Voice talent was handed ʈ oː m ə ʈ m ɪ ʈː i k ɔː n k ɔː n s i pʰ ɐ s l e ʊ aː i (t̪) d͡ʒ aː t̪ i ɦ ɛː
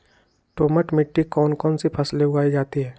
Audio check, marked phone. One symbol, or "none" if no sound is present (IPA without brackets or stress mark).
none